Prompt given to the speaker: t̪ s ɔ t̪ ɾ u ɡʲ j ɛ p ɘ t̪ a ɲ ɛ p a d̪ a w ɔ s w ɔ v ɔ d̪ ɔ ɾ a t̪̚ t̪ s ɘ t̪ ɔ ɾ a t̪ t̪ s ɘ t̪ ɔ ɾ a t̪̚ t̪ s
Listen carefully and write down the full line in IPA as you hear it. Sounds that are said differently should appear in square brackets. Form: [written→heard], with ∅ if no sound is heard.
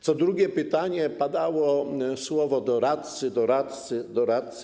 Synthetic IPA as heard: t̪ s ɔ [t̪→d̪] ɾ u ɡʲ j ɛ p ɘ t̪ a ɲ ɛ p a d̪ a w ɔ s w ɔ v ɔ d̪ ɔ ɾ a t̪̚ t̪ s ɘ [t̪→d̪] ɔ ɾ a t̪ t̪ s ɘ [t̪→d̪] ɔ ɾ a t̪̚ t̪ s